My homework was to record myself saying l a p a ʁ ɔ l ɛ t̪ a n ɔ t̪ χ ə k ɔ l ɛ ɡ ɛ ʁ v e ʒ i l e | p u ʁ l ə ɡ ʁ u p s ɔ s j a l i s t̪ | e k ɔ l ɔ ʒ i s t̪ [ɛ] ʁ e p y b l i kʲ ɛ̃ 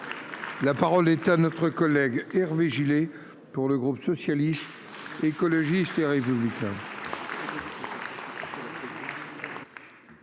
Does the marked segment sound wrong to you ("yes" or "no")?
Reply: yes